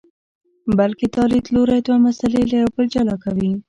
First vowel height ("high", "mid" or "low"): low